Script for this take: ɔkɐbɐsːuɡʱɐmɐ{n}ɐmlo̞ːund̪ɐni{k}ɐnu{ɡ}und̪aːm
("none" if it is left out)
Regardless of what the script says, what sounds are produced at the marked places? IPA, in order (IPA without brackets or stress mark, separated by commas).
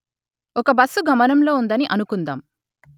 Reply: n, ʔ, k